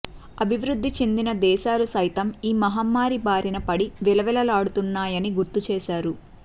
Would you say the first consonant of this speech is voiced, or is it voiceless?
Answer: voiced